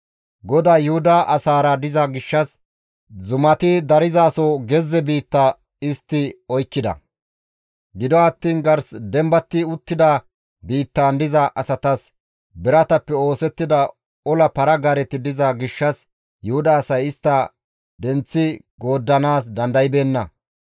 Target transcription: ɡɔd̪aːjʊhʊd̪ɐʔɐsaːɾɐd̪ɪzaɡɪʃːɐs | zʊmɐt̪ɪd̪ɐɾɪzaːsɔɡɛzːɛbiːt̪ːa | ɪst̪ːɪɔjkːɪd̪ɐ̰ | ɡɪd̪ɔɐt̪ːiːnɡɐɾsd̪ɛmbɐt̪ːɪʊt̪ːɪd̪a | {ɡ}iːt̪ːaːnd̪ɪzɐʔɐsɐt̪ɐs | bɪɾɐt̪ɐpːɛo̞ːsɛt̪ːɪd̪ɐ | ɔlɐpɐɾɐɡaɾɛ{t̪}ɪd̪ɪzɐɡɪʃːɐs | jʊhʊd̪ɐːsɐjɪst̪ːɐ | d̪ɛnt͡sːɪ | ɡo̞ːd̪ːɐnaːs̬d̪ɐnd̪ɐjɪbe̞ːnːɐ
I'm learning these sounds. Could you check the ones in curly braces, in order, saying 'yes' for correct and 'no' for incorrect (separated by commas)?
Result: no, yes